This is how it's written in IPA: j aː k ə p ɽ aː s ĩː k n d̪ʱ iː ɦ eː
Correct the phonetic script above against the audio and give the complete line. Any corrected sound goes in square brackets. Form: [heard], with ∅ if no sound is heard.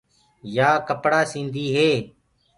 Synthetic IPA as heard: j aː k ə p ɽ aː s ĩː [∅] n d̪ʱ iː ɦ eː